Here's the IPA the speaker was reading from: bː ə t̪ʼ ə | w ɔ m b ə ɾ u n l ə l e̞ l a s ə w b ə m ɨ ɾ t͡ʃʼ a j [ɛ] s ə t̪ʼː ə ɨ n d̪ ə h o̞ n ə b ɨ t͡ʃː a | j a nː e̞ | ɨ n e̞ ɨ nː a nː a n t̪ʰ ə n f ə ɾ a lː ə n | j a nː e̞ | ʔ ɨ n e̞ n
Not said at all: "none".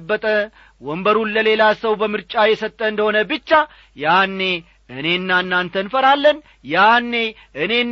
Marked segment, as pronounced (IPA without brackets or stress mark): ɛ